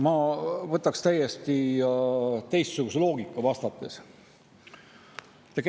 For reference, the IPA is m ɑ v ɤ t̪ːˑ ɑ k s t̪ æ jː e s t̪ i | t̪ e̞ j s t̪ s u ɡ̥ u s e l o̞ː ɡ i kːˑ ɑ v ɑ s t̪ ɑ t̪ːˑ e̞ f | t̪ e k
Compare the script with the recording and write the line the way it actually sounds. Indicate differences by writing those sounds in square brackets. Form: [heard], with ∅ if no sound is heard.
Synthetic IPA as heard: m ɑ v ɤ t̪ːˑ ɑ k s t̪ æ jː e s t̪ i | t̪ e̞ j s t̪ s u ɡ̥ u s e l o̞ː ɡ i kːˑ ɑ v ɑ s t̪ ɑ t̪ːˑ e̞ [s] | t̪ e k